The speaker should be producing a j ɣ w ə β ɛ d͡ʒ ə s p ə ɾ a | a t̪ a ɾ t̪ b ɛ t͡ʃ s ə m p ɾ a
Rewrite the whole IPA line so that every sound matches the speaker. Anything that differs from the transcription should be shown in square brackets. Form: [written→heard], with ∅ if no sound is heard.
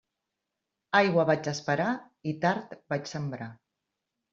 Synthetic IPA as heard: a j ɣ w ə β [ɛ→a] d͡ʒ ə s p ə ɾ a | [a→i] t̪ a ɾ t̪ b [ɛ→a] t͡ʃ s ə m [p→b] ɾ a